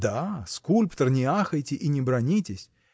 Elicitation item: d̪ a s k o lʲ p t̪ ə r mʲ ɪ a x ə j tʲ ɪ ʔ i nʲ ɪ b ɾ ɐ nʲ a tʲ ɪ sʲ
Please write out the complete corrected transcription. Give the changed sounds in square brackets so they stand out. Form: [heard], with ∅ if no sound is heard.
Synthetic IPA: d̪ a s k [u] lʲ p t̪ ə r [nʲ] ɪ a x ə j tʲ ɪ ʔ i nʲ ɪ b ɾ ɐ nʲ [i] tʲ ɪ sʲ